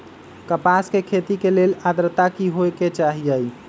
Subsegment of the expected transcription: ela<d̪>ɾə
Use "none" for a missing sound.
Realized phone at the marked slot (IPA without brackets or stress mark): d̪